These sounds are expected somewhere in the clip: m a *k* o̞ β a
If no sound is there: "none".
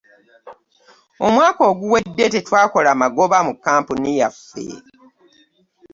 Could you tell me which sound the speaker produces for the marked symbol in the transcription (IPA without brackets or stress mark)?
ɡ